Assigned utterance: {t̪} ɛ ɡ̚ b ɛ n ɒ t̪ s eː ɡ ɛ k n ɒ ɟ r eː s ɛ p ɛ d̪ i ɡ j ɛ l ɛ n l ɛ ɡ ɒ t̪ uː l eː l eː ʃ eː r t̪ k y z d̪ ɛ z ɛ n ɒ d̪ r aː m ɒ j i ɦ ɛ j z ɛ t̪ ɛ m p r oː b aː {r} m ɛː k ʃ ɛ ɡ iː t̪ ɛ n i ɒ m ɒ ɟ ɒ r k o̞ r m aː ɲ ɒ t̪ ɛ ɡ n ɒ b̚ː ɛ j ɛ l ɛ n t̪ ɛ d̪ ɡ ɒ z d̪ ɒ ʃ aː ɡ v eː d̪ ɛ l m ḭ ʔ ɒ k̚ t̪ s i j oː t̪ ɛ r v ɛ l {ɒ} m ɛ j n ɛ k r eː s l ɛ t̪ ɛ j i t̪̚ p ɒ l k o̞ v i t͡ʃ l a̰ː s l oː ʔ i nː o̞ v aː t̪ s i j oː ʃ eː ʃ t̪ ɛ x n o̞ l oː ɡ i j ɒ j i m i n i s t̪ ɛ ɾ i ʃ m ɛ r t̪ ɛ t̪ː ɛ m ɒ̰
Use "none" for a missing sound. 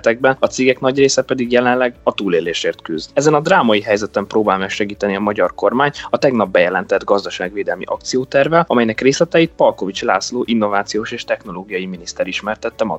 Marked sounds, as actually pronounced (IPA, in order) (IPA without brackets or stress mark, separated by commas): t̪, l, ɒ